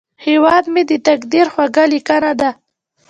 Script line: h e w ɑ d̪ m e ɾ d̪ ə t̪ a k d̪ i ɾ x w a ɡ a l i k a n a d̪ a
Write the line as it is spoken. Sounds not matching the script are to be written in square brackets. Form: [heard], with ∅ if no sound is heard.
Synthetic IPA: h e w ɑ d̪ m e [∅] d̪ ə t̪ a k d̪ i ɾ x w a ɡ a l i k a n a d̪ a